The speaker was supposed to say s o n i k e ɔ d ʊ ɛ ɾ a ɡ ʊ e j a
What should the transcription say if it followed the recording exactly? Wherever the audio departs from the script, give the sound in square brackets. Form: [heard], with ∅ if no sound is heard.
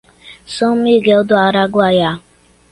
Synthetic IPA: s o [m] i [ɡ] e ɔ d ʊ [a] ɾ a ɡ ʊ [a] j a